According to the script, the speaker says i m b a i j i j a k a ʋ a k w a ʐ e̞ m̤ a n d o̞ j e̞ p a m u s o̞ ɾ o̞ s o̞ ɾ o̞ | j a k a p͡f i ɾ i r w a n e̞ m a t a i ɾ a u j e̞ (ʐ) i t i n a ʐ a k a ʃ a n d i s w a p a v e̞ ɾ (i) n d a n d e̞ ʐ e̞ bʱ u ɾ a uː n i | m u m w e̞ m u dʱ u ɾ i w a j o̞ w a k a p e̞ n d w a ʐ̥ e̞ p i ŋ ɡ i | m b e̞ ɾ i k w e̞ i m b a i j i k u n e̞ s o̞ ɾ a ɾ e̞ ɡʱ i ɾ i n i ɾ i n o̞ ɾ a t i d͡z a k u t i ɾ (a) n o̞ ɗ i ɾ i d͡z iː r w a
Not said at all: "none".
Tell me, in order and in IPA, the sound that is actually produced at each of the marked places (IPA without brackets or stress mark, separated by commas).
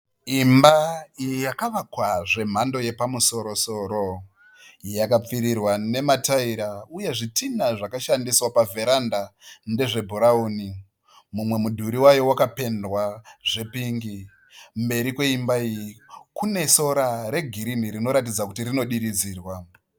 ʐ, a, i